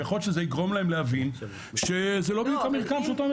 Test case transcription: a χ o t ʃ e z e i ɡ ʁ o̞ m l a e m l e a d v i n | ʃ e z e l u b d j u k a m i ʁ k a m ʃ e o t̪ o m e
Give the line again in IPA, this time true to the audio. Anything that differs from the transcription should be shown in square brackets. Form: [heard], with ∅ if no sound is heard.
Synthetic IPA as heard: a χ o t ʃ e z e i ɡ ʁ o̞ m l a e m l e a [∅] v i n | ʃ e z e l [o] b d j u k a m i ʁ k a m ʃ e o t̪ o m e